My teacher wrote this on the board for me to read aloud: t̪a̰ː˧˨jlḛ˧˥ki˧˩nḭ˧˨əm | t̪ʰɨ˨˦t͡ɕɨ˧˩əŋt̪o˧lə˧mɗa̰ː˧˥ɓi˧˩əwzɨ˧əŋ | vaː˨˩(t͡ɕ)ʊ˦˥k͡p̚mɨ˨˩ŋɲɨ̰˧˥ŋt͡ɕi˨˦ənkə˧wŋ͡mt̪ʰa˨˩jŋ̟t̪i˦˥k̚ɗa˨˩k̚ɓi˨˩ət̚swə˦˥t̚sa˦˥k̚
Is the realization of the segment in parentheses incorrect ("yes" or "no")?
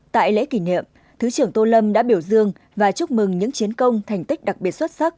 no